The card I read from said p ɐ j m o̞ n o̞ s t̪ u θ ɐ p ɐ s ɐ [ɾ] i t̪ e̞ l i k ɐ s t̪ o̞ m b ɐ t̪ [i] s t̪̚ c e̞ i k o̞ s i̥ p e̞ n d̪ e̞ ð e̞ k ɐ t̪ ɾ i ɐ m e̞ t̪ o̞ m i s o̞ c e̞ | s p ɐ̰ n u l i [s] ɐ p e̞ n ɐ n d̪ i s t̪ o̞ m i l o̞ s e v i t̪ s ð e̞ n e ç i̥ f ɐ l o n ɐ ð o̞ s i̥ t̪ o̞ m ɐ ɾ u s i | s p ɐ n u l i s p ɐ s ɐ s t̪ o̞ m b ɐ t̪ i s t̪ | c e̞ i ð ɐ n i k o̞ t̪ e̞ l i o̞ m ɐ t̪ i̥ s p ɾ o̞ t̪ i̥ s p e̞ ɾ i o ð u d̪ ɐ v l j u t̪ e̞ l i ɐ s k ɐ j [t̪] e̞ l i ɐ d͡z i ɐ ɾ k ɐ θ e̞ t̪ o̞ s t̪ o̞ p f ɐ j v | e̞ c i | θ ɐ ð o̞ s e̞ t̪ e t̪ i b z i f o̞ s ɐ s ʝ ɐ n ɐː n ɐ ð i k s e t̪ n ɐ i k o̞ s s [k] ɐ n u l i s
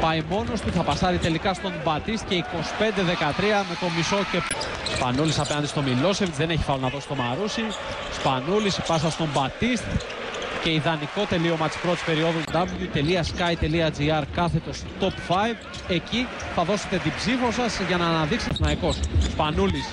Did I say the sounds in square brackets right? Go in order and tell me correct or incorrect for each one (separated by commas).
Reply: correct, correct, correct, correct, incorrect